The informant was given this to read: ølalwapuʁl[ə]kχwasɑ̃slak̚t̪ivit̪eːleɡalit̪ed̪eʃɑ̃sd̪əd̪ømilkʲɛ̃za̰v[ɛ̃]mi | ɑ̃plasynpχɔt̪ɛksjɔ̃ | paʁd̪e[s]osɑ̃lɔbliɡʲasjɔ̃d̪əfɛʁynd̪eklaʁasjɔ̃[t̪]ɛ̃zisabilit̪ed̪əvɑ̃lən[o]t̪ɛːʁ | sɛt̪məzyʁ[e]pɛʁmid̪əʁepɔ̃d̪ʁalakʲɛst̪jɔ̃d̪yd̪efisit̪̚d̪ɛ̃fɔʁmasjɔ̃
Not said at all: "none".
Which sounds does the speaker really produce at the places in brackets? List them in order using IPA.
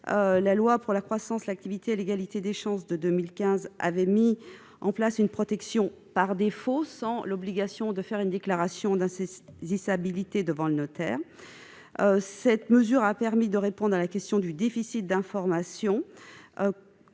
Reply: a, ɛ, f, d̪, ɔ, a

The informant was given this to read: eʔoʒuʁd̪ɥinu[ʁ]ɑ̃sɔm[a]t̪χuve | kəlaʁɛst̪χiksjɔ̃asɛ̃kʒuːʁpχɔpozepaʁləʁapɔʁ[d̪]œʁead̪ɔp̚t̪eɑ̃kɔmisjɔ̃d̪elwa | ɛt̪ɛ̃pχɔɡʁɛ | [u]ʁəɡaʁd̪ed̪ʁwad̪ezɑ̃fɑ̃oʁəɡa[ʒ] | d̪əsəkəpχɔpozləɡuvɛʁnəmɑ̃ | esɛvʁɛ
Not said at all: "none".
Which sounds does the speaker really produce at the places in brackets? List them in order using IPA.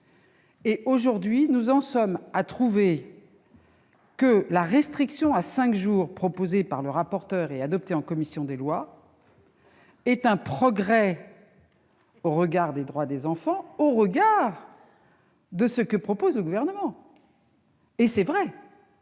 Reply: z, a, t̪, o, ʁ

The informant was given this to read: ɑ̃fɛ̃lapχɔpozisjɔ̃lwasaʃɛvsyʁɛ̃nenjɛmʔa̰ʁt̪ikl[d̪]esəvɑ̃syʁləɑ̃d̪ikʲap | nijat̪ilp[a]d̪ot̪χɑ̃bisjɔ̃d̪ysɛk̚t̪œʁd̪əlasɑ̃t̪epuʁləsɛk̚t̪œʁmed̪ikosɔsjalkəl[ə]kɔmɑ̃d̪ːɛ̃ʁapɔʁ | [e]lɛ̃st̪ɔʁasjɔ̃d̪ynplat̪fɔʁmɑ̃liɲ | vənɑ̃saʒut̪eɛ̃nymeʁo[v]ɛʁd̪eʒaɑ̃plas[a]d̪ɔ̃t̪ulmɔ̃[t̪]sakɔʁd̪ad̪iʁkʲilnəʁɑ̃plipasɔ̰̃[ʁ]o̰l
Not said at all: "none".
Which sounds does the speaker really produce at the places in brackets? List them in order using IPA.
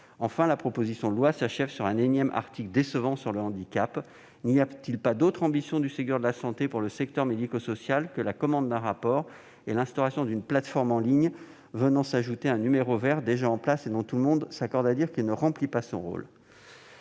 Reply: d̪, a, a, e, v, e, d̪, ʁ

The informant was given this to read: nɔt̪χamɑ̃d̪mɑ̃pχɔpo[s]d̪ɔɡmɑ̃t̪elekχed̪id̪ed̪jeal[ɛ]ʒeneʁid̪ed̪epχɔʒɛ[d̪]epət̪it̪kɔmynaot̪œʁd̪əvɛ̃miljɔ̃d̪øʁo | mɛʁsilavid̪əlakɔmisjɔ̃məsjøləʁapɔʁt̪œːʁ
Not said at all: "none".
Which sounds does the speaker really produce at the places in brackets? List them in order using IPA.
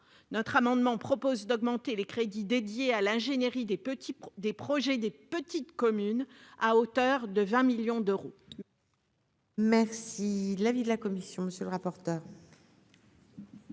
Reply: z, ɛ̃, d̪

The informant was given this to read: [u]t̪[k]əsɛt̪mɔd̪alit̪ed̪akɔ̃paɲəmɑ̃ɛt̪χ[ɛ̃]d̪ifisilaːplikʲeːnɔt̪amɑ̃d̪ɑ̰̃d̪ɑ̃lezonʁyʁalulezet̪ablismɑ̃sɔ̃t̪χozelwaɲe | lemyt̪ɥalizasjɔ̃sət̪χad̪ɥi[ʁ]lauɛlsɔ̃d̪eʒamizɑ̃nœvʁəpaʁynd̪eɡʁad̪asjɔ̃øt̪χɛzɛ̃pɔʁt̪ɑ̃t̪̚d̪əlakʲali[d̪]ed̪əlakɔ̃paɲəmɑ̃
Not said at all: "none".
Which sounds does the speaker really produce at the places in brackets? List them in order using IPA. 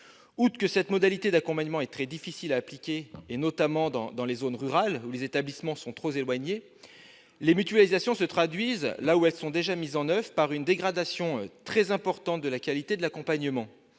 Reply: u, k, ɛ, z, t̪

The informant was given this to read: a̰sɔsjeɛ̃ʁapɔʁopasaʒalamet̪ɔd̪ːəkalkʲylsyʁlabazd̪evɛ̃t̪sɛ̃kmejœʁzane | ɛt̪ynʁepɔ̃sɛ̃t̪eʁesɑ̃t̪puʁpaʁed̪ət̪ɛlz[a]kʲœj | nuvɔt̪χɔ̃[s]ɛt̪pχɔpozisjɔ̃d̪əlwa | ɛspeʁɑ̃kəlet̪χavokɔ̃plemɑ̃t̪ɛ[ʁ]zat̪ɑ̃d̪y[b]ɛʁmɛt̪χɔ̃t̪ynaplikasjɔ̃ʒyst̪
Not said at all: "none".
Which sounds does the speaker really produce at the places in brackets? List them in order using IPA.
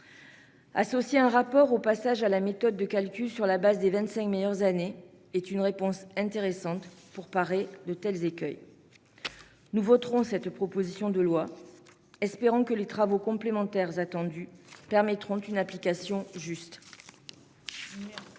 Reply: e, s, ʁ, p

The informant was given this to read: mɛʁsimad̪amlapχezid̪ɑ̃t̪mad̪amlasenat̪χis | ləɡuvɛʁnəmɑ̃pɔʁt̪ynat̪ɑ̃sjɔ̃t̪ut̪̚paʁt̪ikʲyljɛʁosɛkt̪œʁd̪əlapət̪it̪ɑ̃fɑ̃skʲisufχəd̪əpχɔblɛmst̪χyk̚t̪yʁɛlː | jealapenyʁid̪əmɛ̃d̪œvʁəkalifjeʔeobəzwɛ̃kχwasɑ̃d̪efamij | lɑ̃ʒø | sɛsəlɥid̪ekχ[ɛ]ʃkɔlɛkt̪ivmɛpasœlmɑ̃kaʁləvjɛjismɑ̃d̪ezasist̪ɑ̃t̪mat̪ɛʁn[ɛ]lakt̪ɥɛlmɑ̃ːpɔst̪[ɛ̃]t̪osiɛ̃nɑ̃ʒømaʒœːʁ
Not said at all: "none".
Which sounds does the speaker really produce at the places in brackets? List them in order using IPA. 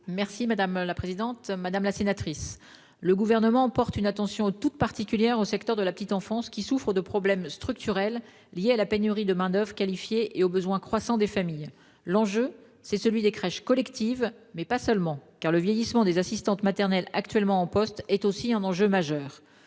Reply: ɛ, ɛ, ɛ

